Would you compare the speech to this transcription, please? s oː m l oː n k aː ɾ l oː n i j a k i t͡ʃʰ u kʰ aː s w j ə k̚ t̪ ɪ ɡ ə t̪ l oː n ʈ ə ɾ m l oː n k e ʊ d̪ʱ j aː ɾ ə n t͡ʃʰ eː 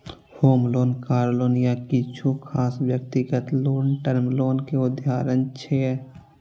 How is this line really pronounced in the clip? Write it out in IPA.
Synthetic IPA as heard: h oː m l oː n k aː ɾ l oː n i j a k i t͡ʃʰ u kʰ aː s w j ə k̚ t̪ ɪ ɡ ə t̪ l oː n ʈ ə ɾ m l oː n k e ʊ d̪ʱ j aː ɾ ə n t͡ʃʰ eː